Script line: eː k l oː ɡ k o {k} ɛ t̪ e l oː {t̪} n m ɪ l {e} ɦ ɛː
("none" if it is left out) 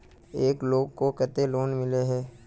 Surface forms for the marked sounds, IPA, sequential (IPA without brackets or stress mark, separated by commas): k, none, e